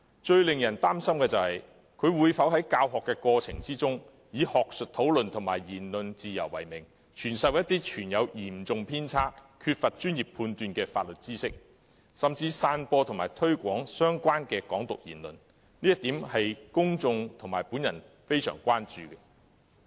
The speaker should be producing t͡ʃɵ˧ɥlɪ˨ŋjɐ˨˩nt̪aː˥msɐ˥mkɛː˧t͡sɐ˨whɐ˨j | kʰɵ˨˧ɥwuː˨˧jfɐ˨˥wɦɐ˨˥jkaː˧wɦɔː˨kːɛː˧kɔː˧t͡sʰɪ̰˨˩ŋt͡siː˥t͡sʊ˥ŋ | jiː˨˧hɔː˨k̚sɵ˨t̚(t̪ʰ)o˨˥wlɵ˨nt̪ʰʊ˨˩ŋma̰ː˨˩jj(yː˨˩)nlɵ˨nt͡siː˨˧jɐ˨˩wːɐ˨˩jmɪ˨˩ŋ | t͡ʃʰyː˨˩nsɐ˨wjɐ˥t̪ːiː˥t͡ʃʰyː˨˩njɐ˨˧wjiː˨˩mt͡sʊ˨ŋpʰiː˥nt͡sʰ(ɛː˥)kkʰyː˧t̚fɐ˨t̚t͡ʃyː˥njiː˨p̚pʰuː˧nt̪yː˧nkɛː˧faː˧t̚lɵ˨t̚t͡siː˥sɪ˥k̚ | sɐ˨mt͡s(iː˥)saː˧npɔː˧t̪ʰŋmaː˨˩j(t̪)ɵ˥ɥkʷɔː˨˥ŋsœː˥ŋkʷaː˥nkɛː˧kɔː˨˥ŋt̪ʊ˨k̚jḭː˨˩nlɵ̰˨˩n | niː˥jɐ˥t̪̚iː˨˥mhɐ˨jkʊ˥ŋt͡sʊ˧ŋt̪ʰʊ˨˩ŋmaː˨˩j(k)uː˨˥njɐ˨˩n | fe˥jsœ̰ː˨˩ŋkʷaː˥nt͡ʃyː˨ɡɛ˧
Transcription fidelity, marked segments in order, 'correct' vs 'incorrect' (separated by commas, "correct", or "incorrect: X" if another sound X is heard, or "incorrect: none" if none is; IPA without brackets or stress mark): correct, incorrect: iː˨˩, incorrect: aː˥, incorrect: iː˧, incorrect: t̪ʰ, incorrect: p